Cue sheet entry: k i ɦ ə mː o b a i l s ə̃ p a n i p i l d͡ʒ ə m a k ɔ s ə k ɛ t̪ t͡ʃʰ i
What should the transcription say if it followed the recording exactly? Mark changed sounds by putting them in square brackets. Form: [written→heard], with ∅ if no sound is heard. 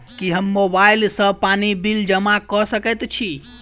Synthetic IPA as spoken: k i ɦ ə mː o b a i l s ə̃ p a n i [p→b] i l d͡ʒ ə m a k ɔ s ə k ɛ t̪ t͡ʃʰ i